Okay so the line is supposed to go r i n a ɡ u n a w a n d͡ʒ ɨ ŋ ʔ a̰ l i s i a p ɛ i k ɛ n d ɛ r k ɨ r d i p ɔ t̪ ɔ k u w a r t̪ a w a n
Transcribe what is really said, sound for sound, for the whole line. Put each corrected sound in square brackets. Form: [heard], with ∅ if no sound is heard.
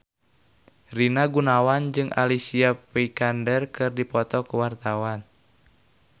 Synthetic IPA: r i n a ɡ u n a w a n d͡ʒ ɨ ŋ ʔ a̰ l i s i a p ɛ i k [a] n d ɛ r k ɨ r d i p ɔ t̪ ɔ k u w a r t̪ a w a n